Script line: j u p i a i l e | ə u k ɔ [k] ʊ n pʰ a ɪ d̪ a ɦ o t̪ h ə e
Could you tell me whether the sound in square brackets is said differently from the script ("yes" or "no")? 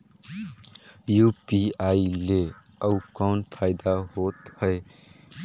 yes